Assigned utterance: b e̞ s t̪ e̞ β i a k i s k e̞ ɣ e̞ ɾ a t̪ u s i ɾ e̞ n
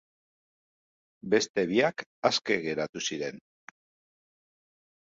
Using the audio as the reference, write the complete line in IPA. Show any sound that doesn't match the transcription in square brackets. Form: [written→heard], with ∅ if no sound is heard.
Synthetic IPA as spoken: b e̞ s t̪ e̞ β i a k [i→a] s k e̞ ɣ e̞ ɾ a t̪ u s i ɾ e̞ n